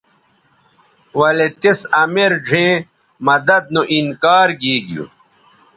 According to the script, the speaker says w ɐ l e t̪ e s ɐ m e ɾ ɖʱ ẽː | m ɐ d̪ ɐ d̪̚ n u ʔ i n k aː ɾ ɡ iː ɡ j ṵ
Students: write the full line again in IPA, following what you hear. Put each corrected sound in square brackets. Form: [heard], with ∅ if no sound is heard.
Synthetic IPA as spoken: w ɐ l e t̪ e s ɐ m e ɾ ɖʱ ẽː | m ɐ d̪ ɐ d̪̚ n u ʔ i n k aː ɾ ɡ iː ɡ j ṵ